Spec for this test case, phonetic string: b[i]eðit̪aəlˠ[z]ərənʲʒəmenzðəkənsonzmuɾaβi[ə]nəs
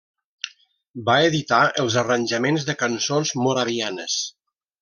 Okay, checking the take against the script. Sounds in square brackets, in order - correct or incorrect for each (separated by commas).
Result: incorrect, correct, incorrect